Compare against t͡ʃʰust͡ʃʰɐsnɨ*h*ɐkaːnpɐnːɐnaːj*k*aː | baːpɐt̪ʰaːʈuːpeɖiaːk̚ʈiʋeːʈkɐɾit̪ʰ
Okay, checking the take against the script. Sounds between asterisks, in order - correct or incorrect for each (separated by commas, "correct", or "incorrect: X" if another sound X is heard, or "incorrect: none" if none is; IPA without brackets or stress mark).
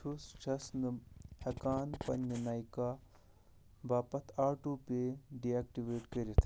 correct, correct